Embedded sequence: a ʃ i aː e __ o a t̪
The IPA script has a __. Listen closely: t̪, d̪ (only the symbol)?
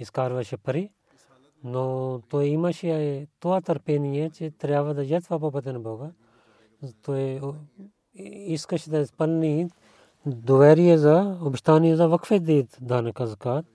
t̪